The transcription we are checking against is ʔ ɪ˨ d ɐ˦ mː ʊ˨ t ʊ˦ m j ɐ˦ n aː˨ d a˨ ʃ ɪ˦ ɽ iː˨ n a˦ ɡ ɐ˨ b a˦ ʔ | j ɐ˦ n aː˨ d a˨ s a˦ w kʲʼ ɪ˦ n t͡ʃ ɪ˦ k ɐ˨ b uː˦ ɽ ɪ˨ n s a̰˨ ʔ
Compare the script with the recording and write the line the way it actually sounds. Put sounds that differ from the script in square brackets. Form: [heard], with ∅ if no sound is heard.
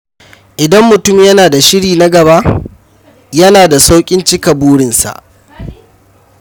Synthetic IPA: ʔ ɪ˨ d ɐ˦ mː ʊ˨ t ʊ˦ m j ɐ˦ n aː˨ d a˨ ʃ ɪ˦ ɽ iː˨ n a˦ ɡ ɐ˨ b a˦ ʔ | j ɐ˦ n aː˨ d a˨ s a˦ w kʲʼ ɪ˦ n t͡ʃ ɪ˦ k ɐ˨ b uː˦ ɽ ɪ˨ n s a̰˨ ʔ